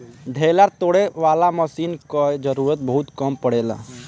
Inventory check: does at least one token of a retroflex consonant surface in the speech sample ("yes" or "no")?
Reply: yes